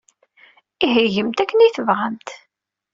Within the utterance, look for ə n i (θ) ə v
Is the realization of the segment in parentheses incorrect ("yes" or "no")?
no